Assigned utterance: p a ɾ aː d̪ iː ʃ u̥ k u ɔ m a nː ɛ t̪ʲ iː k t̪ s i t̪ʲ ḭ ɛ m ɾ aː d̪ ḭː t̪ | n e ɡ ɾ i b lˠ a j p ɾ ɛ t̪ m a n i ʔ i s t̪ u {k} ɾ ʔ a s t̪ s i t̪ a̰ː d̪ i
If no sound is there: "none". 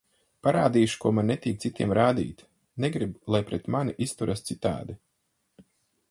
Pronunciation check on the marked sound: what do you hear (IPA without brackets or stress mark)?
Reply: none